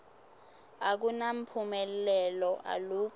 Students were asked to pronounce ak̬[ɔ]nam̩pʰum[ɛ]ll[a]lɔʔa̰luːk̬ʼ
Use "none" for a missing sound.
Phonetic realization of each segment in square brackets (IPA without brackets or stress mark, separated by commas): u, ɛ, ɛ